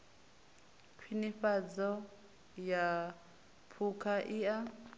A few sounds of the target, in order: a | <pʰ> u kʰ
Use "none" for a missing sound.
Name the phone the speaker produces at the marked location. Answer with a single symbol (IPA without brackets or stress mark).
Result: pʰ